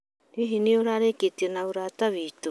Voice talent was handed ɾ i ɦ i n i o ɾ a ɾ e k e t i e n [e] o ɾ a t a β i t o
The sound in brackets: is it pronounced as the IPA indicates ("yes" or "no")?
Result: no